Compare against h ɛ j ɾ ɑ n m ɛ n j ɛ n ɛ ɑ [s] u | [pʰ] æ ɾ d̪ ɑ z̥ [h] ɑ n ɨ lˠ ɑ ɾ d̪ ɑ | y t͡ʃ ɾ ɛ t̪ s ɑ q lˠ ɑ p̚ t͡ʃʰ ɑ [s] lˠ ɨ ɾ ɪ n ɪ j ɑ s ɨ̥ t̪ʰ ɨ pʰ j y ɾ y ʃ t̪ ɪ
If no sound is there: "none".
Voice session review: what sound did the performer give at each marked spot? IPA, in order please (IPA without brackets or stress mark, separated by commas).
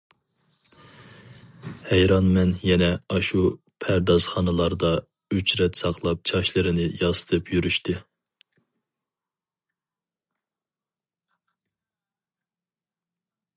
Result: ʃ, pʰ, χ, ʃ